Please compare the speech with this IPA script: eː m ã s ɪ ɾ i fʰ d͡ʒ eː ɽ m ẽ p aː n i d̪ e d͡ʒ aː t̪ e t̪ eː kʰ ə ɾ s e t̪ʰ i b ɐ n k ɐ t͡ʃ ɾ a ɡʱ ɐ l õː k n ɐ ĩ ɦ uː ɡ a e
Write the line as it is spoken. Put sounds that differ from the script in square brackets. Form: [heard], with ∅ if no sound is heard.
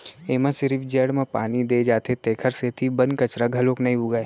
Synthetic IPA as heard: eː m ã s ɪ ɾ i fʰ d͡ʒ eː ɽ m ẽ p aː n i d̪ e d͡ʒ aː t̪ e t̪ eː kʰ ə ɾ s e t̪ʰ i b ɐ n k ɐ t͡ʃ ɾ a ɡʱ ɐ l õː k n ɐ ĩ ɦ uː ɡ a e